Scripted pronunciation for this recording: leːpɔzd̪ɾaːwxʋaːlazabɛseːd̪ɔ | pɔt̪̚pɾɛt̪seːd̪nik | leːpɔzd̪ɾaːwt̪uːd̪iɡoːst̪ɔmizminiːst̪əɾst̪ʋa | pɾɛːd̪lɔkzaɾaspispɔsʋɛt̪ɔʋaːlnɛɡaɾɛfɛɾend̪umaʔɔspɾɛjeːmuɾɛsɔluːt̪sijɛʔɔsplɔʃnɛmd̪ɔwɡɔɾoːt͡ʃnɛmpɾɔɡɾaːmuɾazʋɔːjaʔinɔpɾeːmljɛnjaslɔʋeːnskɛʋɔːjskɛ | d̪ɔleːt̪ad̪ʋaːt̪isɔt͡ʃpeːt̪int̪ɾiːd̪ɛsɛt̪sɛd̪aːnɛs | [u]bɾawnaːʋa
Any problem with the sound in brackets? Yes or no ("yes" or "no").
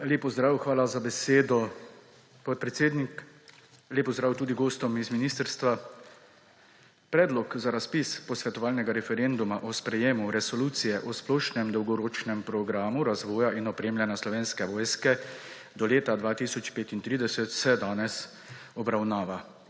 yes